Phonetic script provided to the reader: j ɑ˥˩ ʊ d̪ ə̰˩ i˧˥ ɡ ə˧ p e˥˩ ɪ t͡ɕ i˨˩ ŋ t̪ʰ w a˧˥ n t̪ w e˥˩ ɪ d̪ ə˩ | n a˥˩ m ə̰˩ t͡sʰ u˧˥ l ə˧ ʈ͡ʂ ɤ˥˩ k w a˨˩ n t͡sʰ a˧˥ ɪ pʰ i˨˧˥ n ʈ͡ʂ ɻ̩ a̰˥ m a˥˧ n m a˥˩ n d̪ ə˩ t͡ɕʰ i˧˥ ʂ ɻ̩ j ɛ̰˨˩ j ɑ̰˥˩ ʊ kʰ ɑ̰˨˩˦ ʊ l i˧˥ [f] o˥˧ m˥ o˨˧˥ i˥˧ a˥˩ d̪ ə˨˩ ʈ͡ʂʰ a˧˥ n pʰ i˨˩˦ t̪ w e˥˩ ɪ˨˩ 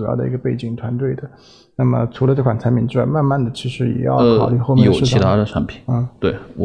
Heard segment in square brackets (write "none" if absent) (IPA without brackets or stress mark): x